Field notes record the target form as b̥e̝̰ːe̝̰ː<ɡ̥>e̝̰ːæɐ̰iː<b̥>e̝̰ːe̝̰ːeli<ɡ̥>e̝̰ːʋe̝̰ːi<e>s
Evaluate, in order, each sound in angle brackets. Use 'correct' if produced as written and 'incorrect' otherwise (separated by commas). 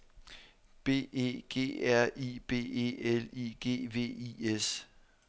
correct, correct, correct, correct